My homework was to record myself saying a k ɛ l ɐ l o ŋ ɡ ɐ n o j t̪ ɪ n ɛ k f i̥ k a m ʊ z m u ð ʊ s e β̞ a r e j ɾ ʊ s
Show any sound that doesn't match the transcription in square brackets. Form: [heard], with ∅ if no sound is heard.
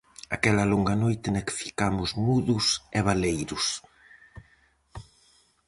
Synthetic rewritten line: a k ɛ l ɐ l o ŋ ɡ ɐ n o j t̪ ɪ n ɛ k f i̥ k a m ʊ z m u ð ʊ s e β̞ a [l] e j ɾ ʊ s